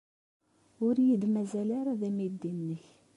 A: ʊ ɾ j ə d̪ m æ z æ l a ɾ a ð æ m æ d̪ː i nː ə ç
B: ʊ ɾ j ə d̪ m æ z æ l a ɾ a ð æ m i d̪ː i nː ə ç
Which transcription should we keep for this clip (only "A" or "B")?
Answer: B